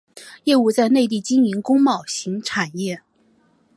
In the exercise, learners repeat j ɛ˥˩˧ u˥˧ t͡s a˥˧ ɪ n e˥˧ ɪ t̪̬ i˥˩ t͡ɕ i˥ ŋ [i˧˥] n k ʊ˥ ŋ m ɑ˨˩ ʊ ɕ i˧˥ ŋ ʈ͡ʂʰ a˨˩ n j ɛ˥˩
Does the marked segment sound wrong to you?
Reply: no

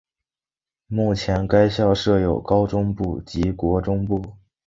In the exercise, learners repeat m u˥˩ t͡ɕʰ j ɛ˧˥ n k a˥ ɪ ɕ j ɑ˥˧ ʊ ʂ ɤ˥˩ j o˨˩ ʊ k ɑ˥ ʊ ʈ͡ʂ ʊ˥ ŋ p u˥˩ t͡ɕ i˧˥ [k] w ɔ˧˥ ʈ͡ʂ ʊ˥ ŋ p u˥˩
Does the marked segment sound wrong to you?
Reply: no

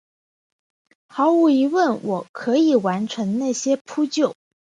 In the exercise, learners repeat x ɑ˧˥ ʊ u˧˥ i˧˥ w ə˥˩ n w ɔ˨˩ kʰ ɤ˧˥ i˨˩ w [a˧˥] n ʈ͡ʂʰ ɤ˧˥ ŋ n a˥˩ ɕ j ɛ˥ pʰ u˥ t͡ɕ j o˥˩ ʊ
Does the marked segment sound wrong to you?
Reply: no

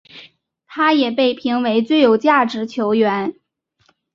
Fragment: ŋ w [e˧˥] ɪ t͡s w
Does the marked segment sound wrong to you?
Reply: no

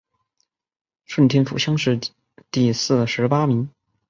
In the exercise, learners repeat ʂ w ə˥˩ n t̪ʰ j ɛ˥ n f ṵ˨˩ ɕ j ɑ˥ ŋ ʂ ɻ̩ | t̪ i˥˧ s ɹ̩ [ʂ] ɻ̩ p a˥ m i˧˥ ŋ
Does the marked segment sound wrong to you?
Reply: no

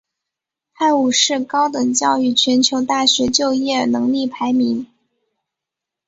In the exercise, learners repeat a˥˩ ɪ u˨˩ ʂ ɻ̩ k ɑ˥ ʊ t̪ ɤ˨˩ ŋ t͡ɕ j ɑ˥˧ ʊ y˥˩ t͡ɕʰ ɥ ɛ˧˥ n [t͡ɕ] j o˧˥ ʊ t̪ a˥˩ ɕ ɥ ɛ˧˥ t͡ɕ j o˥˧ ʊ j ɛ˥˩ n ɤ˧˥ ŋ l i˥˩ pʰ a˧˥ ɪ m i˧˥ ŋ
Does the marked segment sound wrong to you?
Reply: yes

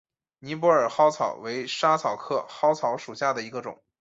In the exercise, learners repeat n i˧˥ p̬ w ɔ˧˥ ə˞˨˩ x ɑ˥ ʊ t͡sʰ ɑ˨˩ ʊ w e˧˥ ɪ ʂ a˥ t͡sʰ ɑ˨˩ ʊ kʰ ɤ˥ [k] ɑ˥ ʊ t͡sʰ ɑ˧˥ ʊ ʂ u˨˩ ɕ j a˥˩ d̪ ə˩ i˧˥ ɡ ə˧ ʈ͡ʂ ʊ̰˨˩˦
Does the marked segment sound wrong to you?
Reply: yes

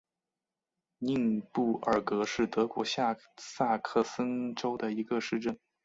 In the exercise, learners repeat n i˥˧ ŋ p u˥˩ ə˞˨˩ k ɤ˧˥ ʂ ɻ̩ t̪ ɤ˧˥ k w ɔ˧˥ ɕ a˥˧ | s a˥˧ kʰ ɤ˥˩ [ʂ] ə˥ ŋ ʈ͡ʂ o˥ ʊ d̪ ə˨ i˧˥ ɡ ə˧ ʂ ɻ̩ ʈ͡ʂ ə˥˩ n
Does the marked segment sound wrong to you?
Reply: yes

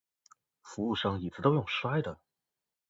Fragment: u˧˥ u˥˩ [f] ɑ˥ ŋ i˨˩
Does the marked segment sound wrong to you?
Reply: yes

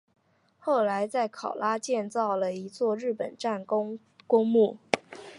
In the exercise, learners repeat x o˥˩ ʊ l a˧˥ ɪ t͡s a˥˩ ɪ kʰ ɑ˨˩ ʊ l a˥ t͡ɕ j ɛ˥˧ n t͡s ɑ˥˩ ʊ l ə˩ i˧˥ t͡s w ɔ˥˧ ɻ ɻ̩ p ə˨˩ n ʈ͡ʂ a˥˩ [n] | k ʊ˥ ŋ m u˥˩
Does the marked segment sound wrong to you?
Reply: no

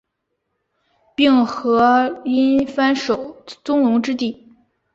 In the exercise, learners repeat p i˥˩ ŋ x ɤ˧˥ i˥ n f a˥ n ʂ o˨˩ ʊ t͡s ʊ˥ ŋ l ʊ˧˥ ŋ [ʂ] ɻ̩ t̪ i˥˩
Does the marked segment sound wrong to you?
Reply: yes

